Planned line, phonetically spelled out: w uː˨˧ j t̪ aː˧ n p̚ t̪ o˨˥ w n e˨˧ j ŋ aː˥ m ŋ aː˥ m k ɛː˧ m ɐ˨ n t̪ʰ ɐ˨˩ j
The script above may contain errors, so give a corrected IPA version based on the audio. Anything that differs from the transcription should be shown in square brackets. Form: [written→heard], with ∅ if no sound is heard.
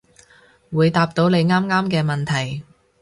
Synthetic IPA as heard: w uː˨˧ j t̪ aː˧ [n→∅] p̚ t̪ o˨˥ w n e˨˧ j ŋ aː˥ m ŋ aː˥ m k ɛː˧ m ɐ˨ n t̪ʰ ɐ˨˩ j